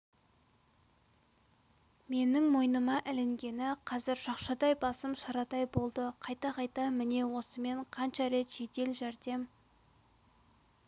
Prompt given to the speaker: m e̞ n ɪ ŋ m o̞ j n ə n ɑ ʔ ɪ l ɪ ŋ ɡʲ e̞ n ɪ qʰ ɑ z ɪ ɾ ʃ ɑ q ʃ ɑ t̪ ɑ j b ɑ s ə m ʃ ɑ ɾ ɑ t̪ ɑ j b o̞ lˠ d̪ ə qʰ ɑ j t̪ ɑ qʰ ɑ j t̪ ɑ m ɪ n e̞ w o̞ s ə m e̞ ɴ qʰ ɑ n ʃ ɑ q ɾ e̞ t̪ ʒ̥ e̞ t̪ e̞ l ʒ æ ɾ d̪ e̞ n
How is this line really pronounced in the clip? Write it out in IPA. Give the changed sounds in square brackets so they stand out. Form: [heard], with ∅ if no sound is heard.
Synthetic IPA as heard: m e̞ n ɪ ŋ m o̞ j n ə [m] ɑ ʔ ɪ l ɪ ŋ ɡʲ e̞ n ɪ qʰ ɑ z ɪ ɾ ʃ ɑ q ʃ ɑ [d̪] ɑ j b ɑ s ə m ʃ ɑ ɾ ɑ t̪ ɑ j b o̞ lˠ d̪ ə qʰ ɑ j t̪ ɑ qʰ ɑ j t̪ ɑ m ɪ n e̞ w o̞ s ə m e̞ ɴ qʰ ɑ n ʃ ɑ [∅] ɾ e̞ t̪ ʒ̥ e̞ t̪ e̞ l ʒ æ ɾ d̪ e̞ [m]